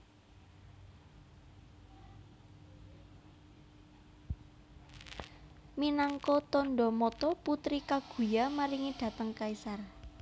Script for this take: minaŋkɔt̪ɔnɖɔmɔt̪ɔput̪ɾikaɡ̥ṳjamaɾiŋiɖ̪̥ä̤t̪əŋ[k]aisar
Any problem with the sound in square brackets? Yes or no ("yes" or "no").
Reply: no